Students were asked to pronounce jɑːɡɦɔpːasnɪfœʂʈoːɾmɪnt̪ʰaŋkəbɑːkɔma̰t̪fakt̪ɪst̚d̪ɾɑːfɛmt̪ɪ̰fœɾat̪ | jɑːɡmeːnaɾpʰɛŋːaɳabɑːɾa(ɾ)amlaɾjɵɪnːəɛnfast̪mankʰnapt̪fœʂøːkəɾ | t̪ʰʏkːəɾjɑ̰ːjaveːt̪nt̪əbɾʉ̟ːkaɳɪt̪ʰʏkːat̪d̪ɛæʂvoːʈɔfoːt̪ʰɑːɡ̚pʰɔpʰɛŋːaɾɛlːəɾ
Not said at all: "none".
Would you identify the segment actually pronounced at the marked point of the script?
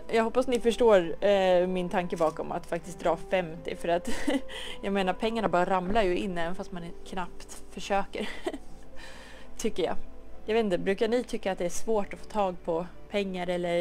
ɾ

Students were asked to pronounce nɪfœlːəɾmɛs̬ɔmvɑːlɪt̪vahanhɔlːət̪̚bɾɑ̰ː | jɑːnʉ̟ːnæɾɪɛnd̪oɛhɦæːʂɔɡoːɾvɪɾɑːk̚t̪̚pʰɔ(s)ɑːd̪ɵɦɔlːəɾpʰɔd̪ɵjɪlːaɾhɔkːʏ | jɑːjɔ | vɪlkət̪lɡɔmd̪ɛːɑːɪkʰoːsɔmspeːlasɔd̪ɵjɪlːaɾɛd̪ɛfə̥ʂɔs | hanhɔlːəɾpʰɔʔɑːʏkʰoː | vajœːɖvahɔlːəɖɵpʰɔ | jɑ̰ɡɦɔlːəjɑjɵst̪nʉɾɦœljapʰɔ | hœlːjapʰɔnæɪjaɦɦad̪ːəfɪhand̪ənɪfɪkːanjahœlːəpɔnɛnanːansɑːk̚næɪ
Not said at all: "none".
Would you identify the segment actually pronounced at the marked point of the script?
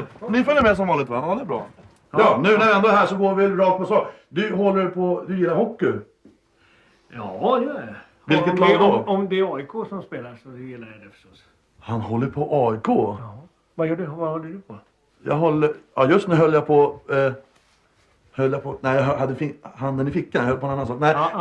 s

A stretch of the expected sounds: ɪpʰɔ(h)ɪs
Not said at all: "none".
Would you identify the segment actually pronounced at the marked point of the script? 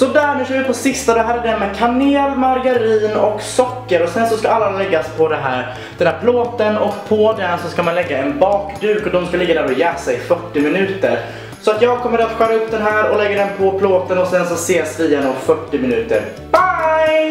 s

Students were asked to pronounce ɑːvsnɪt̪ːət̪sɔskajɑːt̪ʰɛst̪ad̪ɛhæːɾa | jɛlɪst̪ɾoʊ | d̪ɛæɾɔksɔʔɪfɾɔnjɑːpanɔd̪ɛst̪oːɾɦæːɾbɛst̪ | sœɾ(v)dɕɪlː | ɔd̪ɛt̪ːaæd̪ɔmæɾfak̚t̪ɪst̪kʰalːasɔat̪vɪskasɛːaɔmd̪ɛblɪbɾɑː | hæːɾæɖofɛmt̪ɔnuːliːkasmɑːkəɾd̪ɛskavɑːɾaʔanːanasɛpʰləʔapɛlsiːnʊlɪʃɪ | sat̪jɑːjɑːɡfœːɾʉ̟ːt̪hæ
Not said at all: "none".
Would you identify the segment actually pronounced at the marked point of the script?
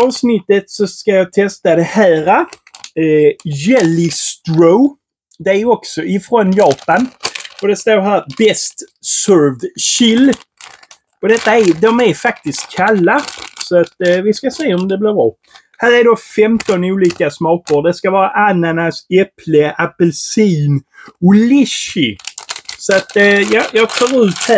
v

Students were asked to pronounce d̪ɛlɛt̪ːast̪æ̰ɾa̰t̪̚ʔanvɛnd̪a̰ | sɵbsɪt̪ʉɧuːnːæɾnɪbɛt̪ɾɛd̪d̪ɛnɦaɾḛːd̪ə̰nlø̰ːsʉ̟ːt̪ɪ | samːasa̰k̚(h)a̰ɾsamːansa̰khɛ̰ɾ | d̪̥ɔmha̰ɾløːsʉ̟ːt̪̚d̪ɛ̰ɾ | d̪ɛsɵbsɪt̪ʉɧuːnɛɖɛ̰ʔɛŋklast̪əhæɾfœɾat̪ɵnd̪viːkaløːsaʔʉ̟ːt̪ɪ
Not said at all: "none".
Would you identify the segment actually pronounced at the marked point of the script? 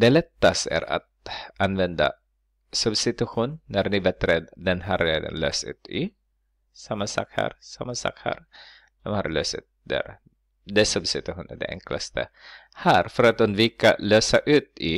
h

